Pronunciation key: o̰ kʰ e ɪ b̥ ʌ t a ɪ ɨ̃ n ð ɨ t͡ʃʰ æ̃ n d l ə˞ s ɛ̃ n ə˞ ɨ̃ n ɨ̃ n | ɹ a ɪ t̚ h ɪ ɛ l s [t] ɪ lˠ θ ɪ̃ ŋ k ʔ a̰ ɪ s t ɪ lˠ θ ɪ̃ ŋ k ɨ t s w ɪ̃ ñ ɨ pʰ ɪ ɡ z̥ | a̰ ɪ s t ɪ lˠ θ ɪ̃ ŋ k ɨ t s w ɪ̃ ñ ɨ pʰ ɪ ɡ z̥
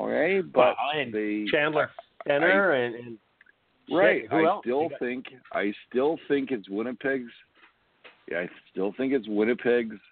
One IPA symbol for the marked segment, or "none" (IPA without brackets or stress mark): t